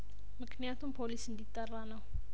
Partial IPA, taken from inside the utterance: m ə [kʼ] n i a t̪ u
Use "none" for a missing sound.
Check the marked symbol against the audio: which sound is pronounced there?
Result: k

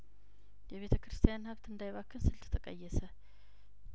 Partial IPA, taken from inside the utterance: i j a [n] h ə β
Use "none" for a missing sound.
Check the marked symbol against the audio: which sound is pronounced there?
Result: n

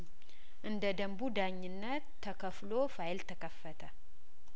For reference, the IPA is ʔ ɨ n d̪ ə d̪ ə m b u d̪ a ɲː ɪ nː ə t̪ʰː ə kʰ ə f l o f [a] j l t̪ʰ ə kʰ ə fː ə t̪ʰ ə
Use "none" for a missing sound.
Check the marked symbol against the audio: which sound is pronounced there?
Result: a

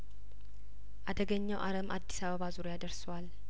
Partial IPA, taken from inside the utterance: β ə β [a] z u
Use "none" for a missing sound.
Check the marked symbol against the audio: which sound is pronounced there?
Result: a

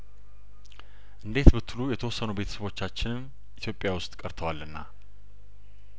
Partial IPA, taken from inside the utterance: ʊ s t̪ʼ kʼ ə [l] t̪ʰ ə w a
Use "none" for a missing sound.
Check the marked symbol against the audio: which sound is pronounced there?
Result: ɾ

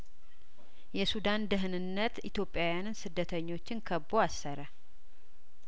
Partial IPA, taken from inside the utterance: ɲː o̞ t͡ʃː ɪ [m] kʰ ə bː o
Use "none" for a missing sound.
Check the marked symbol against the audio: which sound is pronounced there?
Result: n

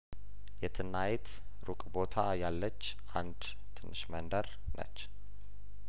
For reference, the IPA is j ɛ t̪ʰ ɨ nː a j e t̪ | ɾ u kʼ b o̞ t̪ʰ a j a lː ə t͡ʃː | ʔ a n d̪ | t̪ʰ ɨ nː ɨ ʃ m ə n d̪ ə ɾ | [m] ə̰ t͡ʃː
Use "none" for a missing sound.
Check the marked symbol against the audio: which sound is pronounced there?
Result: n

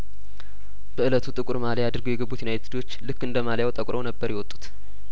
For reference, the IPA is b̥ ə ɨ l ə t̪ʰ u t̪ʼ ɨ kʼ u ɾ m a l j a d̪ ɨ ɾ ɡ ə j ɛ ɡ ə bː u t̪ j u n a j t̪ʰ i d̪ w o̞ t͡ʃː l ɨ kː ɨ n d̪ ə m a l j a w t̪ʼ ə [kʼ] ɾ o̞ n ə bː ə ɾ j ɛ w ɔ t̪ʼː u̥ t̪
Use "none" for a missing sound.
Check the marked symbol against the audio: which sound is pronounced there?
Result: kʼ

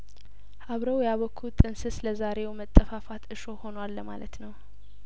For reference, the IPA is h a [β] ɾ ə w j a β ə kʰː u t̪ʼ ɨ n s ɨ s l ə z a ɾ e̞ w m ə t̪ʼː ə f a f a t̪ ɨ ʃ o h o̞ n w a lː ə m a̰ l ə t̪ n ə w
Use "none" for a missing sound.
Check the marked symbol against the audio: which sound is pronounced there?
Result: β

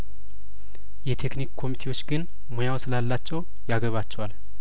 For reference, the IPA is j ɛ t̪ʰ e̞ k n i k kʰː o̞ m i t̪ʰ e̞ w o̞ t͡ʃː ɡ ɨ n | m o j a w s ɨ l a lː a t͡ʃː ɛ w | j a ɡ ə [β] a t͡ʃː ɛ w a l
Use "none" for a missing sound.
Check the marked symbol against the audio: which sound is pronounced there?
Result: β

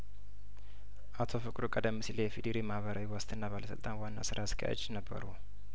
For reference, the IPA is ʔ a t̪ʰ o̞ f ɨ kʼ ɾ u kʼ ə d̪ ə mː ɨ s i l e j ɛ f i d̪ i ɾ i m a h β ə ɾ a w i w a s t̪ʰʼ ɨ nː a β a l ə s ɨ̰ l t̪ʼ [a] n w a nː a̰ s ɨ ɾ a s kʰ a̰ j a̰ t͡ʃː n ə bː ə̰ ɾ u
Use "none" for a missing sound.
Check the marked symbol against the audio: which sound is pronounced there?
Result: a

